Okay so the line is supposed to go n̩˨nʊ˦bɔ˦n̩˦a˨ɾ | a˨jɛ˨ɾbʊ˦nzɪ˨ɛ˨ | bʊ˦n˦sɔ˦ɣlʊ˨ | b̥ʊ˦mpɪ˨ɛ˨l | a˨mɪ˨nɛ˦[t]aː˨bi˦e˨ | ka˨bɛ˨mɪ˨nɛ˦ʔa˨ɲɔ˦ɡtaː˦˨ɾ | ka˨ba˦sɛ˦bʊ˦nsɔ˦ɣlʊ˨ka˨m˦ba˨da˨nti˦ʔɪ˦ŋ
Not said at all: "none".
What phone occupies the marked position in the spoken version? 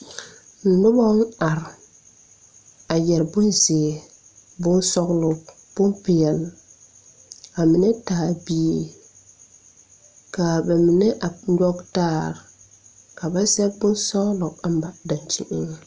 t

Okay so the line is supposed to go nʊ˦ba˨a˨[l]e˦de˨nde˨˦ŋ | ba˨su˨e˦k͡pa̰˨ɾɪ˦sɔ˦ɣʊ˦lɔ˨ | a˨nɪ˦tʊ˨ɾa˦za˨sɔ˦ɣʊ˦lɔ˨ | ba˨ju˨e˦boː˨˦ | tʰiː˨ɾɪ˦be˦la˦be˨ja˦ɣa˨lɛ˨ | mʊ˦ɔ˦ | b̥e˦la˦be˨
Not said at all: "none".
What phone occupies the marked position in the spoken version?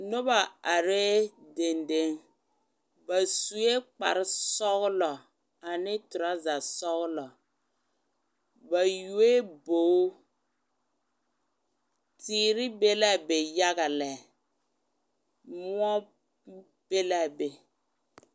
ɾ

